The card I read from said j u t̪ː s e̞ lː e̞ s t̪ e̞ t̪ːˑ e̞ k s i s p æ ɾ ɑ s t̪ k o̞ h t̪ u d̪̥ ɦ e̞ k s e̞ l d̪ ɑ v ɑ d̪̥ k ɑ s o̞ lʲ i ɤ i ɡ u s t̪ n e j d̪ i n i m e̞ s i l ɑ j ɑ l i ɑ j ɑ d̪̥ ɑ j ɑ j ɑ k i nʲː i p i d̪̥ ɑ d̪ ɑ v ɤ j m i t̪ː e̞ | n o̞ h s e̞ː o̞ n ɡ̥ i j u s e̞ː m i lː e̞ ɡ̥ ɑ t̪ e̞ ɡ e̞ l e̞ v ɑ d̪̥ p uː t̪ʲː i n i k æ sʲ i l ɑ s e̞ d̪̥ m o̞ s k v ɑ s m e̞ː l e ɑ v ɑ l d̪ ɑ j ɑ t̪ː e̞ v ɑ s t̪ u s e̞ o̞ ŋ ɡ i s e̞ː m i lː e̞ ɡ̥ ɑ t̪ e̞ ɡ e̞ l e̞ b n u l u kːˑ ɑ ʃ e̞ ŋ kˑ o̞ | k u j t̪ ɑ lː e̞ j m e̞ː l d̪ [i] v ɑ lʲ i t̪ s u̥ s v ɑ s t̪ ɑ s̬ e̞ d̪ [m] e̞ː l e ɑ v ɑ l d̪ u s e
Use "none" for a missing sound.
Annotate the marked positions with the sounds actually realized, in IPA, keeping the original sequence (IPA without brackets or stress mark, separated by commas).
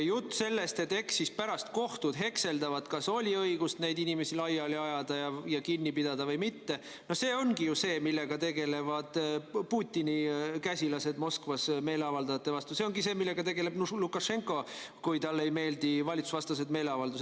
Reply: i, m